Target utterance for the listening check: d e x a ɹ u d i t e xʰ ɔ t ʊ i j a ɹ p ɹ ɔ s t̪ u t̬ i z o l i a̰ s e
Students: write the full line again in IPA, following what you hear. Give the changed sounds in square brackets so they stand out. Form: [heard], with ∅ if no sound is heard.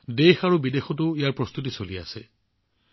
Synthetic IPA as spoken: d e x a ɹ u [b] i [d] e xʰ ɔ t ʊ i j a ɹ p ɹ ɔ s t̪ u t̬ i [s] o l i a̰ s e